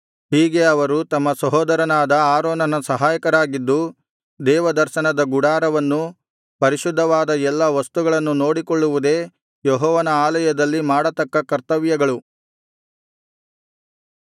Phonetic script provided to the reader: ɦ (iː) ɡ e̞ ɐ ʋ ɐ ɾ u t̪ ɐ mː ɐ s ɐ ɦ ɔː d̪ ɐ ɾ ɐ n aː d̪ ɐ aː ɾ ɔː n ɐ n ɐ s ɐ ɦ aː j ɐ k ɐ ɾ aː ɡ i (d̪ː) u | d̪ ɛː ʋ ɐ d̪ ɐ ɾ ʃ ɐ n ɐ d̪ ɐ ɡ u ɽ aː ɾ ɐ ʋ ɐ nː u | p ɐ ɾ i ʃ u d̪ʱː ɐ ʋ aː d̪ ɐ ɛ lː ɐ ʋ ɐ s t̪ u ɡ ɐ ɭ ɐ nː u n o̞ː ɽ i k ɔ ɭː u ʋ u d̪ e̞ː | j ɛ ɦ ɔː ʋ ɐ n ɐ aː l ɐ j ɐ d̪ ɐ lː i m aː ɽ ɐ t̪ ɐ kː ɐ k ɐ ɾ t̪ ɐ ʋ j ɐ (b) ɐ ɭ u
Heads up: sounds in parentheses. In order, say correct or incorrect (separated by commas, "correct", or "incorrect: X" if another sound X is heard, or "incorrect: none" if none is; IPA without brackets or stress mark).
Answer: correct, correct, incorrect: ɡ